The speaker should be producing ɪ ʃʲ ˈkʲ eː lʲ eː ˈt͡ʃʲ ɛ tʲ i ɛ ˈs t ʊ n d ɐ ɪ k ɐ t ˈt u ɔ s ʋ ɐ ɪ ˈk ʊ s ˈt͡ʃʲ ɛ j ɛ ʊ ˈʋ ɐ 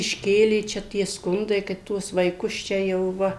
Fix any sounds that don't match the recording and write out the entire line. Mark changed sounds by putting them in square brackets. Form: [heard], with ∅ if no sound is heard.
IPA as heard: ɪ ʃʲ ˈkʲ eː lʲ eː ˈt͡ʃʲ ɛ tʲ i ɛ ˈs [k] ʊ n d ɐ ɪ k ɐ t ˈt u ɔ s ʋ ɐ ɪ ˈk ʊ s ˈt͡ʃʲ ɛ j ɛ ʊ ˈʋ ɐ